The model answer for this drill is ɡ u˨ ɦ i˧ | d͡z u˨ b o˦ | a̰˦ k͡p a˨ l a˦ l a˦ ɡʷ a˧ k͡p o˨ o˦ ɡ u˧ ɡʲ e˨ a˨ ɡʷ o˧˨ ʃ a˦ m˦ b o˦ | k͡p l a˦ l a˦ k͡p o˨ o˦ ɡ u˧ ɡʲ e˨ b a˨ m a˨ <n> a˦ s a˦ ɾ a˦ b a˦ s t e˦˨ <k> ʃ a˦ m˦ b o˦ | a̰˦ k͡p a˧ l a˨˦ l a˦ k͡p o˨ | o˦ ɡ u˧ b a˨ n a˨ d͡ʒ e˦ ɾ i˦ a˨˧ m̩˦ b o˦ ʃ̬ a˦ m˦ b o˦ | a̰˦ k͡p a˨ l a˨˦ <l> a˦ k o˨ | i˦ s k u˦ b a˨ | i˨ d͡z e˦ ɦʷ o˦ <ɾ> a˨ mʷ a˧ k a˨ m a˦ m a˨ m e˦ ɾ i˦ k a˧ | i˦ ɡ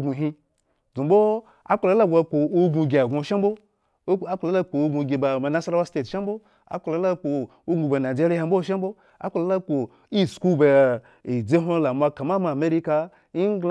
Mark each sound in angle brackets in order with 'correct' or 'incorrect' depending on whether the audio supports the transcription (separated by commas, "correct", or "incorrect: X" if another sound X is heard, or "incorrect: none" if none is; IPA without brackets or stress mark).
correct, incorrect: t, correct, incorrect: l